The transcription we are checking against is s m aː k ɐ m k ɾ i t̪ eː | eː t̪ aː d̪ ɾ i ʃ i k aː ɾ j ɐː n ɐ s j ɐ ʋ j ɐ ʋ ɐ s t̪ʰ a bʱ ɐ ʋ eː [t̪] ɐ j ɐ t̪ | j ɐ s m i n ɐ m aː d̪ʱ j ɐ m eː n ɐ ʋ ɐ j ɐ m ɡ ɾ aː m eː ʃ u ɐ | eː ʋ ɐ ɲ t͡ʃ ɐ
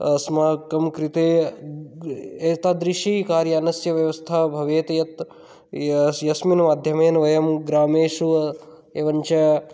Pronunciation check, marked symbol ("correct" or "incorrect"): correct